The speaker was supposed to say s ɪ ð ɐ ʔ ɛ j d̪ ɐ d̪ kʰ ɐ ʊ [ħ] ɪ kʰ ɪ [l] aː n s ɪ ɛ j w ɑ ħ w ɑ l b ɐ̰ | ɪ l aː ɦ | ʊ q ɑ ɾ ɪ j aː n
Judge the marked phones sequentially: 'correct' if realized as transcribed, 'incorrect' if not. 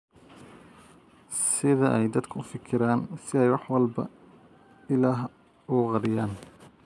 incorrect: f, incorrect: ɾ

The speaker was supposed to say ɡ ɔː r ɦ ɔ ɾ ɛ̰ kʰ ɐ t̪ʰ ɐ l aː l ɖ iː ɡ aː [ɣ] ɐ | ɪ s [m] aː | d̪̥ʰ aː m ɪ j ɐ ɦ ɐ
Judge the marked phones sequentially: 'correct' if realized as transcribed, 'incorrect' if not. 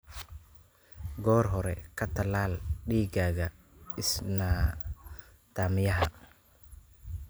correct, incorrect: n

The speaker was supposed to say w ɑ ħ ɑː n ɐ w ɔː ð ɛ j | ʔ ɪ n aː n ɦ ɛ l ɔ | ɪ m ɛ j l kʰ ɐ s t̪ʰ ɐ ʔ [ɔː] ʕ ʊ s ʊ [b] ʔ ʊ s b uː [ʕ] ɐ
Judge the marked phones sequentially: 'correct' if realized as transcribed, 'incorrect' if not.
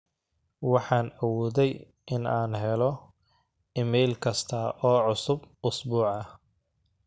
correct, correct, correct

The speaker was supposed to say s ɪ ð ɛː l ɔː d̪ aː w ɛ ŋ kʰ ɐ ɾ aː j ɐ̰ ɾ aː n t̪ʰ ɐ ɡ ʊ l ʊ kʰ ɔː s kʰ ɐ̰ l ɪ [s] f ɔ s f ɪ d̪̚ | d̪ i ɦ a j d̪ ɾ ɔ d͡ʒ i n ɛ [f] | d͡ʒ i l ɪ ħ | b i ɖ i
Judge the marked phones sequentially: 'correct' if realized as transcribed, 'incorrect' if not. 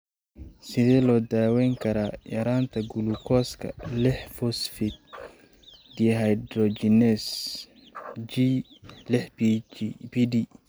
incorrect: ħ, incorrect: s

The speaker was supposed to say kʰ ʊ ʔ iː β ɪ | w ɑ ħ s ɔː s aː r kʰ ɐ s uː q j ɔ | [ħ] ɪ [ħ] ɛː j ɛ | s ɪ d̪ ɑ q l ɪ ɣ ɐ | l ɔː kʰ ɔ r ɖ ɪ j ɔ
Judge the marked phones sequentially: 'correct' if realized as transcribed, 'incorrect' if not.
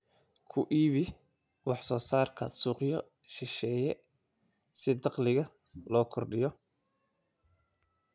incorrect: ʃ, incorrect: ʃ

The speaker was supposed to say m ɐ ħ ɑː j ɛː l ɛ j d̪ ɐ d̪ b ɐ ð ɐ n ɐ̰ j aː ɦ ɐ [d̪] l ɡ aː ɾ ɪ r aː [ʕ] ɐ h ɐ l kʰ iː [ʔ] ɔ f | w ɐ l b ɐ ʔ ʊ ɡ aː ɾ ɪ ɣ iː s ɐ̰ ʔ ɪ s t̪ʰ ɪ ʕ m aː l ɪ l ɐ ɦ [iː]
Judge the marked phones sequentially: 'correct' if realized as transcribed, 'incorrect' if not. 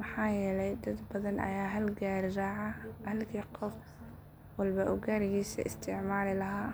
incorrect: none, correct, incorrect: q, incorrect: aː

